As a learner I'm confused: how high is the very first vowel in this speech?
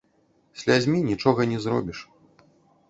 low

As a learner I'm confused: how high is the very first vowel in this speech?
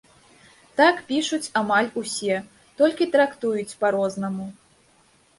low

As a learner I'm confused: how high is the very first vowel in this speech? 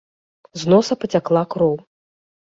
mid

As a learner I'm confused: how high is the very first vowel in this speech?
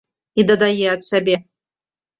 high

